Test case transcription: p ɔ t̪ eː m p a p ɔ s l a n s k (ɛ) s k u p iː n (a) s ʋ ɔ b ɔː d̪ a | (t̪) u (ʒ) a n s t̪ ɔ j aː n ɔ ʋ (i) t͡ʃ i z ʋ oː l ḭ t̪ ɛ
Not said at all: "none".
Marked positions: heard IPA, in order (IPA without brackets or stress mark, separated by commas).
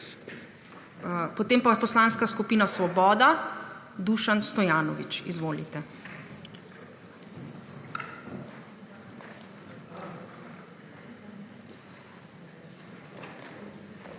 a, a, d̪, ʃ, i